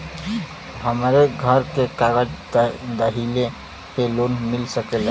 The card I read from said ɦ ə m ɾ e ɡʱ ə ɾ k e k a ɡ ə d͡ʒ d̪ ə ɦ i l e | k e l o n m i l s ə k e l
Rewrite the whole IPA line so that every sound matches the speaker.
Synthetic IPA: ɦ ə m ɾ e ɡʱ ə ɾ k e k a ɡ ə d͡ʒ d̪ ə ɦ i l e | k e l o n m i l s ə k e l